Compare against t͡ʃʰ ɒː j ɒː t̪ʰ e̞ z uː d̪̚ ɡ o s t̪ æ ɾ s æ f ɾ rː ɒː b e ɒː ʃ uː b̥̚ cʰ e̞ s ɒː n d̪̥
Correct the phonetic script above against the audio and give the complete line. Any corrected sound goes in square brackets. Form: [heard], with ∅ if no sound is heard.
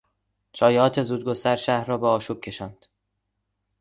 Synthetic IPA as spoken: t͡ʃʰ ɒː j ɒː t̪ʰ e̞ z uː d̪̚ ɡ o s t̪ æ ɾ [ʃ] æ [h] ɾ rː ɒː b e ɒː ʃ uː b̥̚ cʰ e̞ [ʃ] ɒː n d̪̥

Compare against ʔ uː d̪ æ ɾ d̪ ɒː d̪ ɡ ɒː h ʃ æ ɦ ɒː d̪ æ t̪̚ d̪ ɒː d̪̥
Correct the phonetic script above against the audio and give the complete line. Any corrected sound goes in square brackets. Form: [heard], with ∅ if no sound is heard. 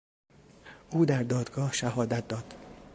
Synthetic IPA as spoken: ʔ uː d̪ æ ɾ d̪ ɒː d̪ ɡ ɒː h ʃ æ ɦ ɒː d̪ æ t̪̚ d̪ ɒː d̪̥

